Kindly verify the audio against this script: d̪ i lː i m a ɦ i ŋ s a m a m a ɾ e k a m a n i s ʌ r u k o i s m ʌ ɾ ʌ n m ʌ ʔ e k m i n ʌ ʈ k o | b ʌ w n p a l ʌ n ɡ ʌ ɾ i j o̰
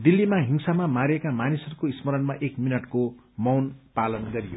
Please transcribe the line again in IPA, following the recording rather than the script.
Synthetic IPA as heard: d̪ i lː i m a ɦ i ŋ s a m a m a ɾ e k a m a n i s ʌ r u k o i s m ʌ ɾ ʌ n m a ʔ e k m i n ʌ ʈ k o | m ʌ w n p a l ʌ n ɡ ʌ ɾ i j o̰

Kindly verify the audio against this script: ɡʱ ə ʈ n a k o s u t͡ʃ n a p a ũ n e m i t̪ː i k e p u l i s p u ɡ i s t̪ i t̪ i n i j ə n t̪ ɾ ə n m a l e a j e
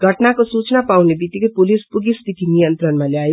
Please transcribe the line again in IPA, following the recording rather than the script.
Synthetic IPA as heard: ɡʱ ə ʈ n a k o s u t͡ʃ n a p a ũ n e b i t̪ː i k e p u l i s p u ɡ i s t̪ i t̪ i n i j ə n t̪ ɾ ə n m a l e a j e

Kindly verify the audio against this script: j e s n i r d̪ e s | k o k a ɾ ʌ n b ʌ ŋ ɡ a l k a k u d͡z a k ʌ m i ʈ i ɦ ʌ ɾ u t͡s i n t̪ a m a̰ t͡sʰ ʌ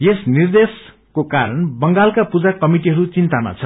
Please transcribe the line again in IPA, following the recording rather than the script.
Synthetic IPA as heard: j e s n i r d̪ e s | k o k a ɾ ʌ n b ʌ ŋ ɡ a l k a p u d͡z a k ʌ m i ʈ i ɦ ʌ ɾ u t͡s i n t̪ a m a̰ t͡sʰ ʌ

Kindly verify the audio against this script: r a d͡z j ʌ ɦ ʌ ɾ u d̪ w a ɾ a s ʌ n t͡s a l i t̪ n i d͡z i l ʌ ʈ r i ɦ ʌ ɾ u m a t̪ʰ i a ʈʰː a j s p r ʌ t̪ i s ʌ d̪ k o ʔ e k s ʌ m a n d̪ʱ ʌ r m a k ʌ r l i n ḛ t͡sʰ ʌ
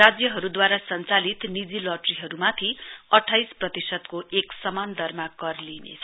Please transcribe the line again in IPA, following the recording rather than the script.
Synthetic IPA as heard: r a d͡z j ʌ ɦ ʌ ɾ u d̪ w a ɾ a s ʌ n t͡s a l i t̪ n i d͡z i l ʌ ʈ r i ɦ ʌ ɾ u m a t̪ʰ i ʌ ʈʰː a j s p r ʌ t̪ i s ʌ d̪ k o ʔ e k s ʌ m a n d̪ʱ ʌ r m a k ʌ r l i n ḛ t͡sʰ ʌ

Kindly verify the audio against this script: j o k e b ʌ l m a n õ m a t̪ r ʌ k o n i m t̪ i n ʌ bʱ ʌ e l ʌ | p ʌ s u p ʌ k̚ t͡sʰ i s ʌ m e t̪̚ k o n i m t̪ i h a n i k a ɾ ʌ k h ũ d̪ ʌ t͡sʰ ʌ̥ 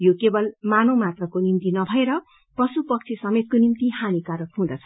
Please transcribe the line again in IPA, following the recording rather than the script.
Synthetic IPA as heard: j o k e b ʌ l m a n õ m a t̪ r ʌ k o n i m t̪ i n ʌ bʱ ʌ e ɾ ʌ | p ʌ s u p ʌ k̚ t͡sʰ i s ʌ m e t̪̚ k o n i m t̪ i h a n i k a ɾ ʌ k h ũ d̪ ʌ t͡sʰ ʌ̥

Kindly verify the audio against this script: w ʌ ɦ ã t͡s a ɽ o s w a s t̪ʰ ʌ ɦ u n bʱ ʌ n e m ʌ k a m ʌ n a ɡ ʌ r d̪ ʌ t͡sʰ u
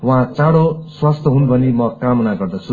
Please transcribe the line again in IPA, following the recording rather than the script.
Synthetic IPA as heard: w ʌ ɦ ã t͡s a ɽ o s w a s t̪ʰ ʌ ɦ u n bʱ ʌ n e m ʌ k a m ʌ n a ɡ ʌ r d̪ ʌ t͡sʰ u

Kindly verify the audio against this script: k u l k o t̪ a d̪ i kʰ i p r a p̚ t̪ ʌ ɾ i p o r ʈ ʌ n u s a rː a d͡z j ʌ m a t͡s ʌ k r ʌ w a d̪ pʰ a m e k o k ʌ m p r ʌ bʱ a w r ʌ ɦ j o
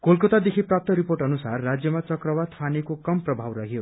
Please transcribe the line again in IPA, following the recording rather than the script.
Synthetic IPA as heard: k o l k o t̪ a d̪ e kʰ i p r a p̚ t̪ ʌ ɾ i p o r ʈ ʌ n u s a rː a d͡z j ʌ m a t͡s ʌ k r ʌ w a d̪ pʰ a n e k o k ʌ m p r ʌ bʱ a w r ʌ ɦ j o

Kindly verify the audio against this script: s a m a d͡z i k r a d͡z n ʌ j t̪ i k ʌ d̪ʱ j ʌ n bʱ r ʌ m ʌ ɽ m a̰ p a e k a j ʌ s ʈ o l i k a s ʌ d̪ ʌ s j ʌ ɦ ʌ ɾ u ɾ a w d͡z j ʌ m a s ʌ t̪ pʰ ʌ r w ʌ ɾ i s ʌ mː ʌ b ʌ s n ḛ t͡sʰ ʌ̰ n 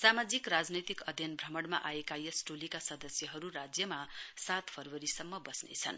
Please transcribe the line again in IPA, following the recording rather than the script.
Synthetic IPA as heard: s a m a d͡z i k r a d͡z n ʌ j t̪ i k ʌ d̪ʱ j ʌ n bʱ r ʌ m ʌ ɽ m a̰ ʔ a e k a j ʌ s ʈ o l i k a s ʌ d̪ ʌ s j ʌ ɦ ʌ ɾ u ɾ a d͡z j ʌ m a s a t̪ pʰ ʌ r w ʌ ɾ i s ʌ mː ʌ b ʌ s n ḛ t͡sʰ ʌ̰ n

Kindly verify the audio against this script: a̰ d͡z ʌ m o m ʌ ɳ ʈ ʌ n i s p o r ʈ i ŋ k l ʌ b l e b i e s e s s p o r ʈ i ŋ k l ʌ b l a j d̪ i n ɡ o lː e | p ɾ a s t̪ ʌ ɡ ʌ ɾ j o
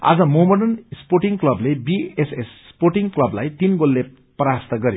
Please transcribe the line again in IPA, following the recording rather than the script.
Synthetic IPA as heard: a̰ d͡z ʌ m o m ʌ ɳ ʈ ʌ n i s p o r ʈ i ŋ k l ʌ b l e b i e s e s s p o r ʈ i ŋ k l ʌ b l a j t̪ i n ɡ o lː e | p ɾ a s t̪ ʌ ɡ ʌ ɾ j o

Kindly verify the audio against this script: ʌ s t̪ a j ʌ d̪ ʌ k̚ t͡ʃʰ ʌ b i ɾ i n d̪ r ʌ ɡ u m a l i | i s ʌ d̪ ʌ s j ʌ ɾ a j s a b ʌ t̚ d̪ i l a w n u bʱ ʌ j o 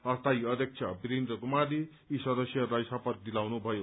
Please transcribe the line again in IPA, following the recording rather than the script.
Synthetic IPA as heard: ʌ s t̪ a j ʌ d̪ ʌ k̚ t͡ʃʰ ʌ b i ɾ i n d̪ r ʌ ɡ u m a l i | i s ʌ d̪ ʌ s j ʌ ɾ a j s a p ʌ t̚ d̪ i l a w n u bʱ ʌ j o

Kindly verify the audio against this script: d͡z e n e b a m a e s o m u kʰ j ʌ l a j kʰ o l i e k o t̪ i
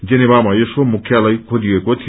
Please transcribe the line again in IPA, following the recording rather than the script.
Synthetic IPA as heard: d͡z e n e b a m a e s o m u kʰ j a l a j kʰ o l i e k o t̪ʰ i

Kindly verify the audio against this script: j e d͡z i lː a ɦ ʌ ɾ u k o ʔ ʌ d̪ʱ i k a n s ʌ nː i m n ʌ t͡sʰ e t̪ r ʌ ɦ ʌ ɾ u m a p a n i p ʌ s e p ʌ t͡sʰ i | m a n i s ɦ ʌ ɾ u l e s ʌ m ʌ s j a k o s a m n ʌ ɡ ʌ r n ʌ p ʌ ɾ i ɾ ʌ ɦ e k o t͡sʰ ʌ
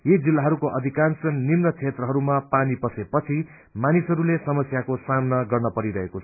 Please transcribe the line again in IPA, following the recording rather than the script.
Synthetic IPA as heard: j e d͡z i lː a ɦ ʌ ɾ u k o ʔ ʌ d̪ʱ i k a n s ʌ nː i m n ʌ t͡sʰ e t̪ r ʌ ɦ ʌ ɾ u m a p a n i p ʌ s e p ʌ t͡sʰ i | m a n i s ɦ ʌ ɾ u l e s ʌ m ʌ s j a k o s a m n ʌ ɡ ʌ r n ʌ p ʌ ɾ i ɾ ʌ ɦ e k o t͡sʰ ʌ

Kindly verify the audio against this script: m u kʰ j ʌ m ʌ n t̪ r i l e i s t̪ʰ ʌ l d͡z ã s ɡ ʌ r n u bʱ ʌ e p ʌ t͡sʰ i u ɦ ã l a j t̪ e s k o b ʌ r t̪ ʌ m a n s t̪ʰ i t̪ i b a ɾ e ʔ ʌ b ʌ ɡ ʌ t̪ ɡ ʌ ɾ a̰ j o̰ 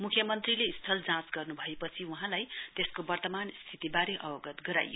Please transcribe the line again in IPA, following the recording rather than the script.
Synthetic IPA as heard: m u kʰ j ʌ m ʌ n t̪ r i l e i s t̪ʰ ʌ l d͡z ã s ɡ ʌ r n u bʱ ʌ e p ʌ t͡sʰ i u ɦ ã l a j t̪ e s k o b ʌ r t̪ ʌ m a n s t̪ʰ i t̪ i b a ɾ e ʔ ʌ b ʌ ɡ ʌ t̪ ɡ ʌ ɾ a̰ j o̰

